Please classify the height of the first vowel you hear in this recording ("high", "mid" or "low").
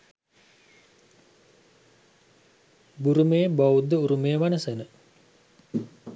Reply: high